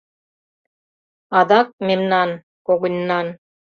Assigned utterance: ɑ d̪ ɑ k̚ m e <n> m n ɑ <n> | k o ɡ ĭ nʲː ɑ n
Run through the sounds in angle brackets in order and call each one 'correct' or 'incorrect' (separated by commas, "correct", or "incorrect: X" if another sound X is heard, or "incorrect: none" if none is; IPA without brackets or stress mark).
incorrect: none, correct